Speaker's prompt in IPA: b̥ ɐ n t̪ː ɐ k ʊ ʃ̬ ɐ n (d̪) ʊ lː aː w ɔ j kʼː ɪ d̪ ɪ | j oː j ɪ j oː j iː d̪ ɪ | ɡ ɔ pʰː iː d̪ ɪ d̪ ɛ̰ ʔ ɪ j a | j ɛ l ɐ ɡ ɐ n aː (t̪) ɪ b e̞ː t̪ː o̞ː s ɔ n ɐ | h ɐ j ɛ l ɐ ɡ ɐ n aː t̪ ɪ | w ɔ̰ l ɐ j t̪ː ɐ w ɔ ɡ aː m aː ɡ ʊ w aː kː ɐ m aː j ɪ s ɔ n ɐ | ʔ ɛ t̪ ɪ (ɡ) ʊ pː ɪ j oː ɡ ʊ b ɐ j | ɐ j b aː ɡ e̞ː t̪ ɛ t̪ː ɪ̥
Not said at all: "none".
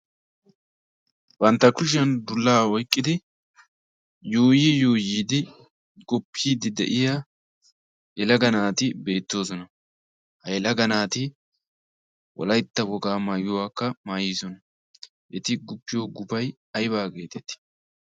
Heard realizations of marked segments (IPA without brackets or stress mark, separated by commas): d̪, t̪, ɡ